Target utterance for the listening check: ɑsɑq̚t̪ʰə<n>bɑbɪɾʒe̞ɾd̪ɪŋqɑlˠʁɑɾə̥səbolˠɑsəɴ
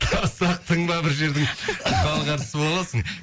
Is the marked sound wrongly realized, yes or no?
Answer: yes